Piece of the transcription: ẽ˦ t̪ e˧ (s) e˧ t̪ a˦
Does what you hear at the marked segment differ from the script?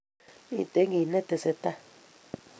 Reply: no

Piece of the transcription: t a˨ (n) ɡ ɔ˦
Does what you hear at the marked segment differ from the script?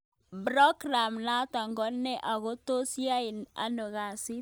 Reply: yes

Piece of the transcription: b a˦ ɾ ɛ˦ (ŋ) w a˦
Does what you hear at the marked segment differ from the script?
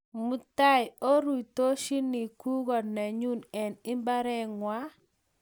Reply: no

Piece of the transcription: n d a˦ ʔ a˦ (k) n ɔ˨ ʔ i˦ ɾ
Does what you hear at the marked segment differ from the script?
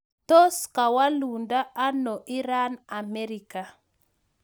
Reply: yes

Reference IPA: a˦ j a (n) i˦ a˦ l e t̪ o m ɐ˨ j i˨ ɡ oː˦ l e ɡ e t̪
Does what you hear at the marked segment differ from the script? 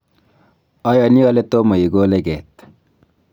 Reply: no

